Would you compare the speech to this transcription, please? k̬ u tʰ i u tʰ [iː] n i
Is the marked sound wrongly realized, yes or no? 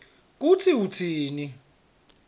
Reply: no